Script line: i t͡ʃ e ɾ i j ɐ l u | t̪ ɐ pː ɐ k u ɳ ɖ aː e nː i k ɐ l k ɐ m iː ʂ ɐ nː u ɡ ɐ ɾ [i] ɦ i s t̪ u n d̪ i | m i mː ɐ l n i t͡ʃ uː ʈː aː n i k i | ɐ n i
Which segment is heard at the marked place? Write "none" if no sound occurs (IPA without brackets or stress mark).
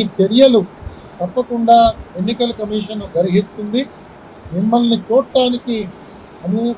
i